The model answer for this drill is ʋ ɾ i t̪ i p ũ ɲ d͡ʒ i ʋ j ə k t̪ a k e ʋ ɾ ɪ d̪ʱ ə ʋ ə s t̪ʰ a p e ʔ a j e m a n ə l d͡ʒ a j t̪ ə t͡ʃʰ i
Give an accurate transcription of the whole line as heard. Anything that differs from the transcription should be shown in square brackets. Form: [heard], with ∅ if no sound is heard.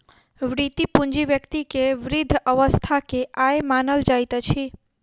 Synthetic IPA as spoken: ʋ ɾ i t̪ i p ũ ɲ d͡ʒ i ʋ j ə k t̪ [i] k e ʋ ɾ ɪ d̪ʱ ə ʋ ə s t̪ʰ a [k] e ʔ a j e m a n ə l d͡ʒ a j t̪ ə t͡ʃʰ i